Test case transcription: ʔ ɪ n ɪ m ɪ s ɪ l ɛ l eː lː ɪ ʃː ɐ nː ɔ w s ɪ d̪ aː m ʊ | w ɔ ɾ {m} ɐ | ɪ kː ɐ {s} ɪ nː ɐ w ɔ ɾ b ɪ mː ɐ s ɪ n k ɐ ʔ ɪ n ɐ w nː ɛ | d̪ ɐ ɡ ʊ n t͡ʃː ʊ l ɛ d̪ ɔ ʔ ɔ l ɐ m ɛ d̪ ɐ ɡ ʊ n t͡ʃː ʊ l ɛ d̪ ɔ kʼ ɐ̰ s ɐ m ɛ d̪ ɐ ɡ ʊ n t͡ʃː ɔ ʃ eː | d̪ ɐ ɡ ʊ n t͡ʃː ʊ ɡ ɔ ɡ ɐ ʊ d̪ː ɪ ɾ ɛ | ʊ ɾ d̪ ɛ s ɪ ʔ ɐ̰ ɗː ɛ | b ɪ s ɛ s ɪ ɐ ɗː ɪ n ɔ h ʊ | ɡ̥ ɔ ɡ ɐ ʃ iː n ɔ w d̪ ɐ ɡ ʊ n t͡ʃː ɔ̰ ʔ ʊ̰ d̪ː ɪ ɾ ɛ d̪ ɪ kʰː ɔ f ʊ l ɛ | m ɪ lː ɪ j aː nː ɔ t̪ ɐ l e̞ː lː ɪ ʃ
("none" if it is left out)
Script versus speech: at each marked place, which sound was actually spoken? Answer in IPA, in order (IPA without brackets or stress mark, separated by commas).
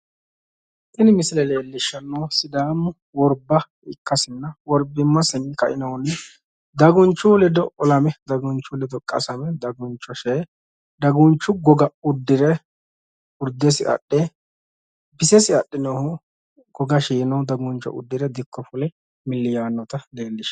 b, s